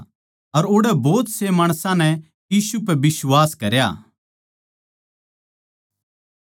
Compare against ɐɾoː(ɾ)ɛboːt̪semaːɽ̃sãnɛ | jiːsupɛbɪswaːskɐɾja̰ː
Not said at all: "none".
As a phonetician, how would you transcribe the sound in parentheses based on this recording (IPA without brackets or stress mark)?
ɽ